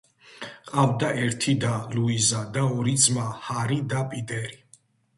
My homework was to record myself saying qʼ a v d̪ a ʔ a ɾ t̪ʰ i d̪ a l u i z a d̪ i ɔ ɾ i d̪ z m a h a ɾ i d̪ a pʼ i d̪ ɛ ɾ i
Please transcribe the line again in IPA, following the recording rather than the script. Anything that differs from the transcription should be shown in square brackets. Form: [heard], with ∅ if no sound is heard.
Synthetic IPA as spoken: qʼ a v d̪ a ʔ [ɛ] ɾ t̪ʰ i d̪ a l u i z a d̪ [a] ɔ ɾ i d̪ z m a h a ɾ i d̪ a pʼ i d̪ ɛ ɾ i

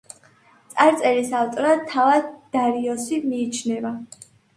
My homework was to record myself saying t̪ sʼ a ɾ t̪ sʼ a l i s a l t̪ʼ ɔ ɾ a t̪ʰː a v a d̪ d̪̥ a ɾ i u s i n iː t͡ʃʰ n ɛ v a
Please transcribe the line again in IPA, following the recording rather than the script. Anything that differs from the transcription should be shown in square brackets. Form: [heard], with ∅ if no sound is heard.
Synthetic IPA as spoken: t̪ sʼ a ɾ t̪ sʼ [ɛ] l i s a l t̪ʼ ɔ ɾ a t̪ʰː a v a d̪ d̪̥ a ɾ i [ɔ] s i [m] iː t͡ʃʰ n ɛ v a

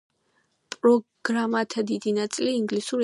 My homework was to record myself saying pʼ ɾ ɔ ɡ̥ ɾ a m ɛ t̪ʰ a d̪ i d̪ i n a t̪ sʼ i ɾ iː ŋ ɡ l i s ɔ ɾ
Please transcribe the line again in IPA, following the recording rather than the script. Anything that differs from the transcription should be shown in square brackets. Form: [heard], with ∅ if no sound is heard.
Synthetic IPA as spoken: pʼ ɾ ɔ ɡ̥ ɾ a m [a] t̪ʰ a d̪ i d̪ i n a t̪ sʼ i [l] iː ŋ ɡ l i s [u] ɾ

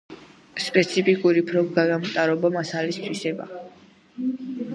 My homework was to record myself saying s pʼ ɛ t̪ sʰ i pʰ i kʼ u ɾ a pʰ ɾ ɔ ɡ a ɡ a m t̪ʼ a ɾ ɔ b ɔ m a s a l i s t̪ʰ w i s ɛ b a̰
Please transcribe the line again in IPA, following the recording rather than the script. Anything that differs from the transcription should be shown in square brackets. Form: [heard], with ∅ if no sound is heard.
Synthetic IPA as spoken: s pʼ ɛ t̪ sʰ i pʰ i kʼ u ɾ [i] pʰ ɾ ɔ ɡ a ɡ a m t̪ʼ a ɾ ɔ b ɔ m a s a l i s t̪ʰ w i s ɛ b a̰

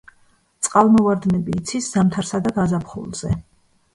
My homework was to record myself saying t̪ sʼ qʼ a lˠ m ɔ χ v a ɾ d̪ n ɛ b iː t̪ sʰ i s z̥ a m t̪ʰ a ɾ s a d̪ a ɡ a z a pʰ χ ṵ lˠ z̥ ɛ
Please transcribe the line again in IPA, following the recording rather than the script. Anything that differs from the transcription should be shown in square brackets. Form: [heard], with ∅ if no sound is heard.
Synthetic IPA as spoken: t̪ sʼ qʼ a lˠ m ɔ [∅] v a ɾ d̪ n ɛ b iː t̪ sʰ i s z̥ a m t̪ʰ a ɾ s a d̪ a ɡ a z a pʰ χ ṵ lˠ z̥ ɛ

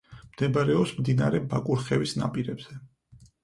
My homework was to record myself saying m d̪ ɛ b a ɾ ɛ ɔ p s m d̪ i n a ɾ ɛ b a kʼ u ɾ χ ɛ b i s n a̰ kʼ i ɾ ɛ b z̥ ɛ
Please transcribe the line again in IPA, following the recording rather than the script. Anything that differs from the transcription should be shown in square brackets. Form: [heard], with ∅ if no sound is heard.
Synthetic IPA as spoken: m d̪ ɛ b a ɾ ɛ ɔ p s m d̪ i n a ɾ ɛ b a kʼ u ɾ χ ɛ [v] i s n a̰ [pʼ] i ɾ ɛ b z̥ ɛ

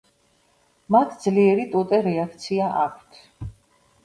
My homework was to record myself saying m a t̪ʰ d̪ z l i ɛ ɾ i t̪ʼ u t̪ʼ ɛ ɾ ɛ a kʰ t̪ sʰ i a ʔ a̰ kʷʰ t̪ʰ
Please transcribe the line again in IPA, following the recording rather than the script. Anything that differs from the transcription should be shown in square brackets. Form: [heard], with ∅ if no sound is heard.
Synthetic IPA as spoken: m a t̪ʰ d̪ z l i ɛ ɾ i t̪ʼ u t̪ʼ ɛ ɾ ɛ a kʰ t̪ sʰ i a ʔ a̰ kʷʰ t̪ʰ

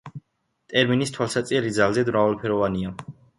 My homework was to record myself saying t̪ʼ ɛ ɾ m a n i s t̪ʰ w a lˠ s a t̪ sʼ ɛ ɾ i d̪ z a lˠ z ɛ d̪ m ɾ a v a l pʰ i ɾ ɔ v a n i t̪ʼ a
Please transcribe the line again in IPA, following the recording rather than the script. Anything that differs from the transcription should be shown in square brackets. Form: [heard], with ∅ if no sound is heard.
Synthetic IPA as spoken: t̪ʼ ɛ ɾ m [i] n i s t̪ʰ w a lˠ s a t̪ sʼ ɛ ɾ i d̪ z a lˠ z ɛ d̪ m ɾ a v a l pʰ [ɛ] ɾ ɔ v a n i [∅] a

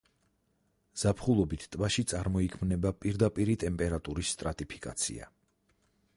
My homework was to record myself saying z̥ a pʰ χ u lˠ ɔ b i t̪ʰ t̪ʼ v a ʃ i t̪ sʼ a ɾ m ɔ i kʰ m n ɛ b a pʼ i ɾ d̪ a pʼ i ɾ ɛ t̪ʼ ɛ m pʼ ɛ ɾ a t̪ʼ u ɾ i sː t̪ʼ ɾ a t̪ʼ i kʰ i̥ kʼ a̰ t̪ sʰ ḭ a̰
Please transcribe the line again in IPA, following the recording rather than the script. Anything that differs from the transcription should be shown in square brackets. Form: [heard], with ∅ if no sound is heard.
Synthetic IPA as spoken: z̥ a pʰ χ u lˠ ɔ b i t̪ʰ t̪ʼ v a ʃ i t̪ sʼ a ɾ m ɔ i kʰ m n ɛ b a pʼ i ɾ d̪ a pʼ i ɾ [i] t̪ʼ ɛ m pʼ ɛ ɾ a t̪ʼ u ɾ i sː t̪ʼ ɾ a t̪ʼ i [pʰ] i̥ kʼ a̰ t̪ sʰ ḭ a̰

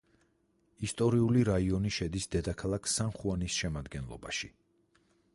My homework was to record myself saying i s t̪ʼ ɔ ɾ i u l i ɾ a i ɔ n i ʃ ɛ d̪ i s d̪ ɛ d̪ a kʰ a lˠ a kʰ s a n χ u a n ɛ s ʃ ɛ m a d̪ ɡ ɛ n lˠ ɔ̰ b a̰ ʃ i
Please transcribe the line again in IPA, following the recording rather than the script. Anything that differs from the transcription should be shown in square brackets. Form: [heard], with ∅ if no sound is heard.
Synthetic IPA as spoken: i s t̪ʼ ɔ ɾ i u l i ɾ a i ɔ n i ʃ ɛ d̪ i s d̪ ɛ d̪ a kʰ a lˠ a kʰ s a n χ u a n [i] s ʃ ɛ m a d̪ ɡ ɛ n lˠ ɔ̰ b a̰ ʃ i

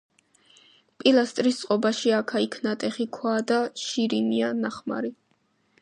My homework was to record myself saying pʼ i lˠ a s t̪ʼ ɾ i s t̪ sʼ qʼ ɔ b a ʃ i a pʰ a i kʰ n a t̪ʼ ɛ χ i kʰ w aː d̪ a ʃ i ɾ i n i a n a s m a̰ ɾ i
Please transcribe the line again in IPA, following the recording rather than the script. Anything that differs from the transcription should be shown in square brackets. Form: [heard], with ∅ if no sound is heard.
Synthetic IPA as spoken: pʼ i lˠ a s t̪ʼ ɾ i s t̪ sʼ qʼ ɔ b a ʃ i a [kʰ] a i kʰ n a t̪ʼ ɛ χ i kʰ w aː d̪ a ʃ i ɾ i n i a n a [χ] m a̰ ɾ i

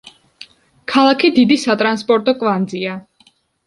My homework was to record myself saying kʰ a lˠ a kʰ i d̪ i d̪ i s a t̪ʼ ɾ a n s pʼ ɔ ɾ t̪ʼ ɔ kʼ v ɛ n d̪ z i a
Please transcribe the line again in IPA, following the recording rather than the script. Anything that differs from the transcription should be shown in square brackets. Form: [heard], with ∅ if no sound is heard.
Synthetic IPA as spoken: kʰ a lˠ a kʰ i d̪ i d̪ i s a t̪ʼ ɾ a n s pʼ ɔ ɾ t̪ʼ ɔ kʼ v [a] n d̪ z i a

